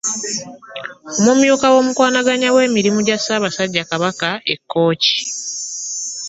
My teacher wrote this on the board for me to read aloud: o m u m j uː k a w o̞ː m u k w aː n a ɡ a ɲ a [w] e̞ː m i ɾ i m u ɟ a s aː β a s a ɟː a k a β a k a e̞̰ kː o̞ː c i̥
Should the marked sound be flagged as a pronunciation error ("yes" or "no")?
no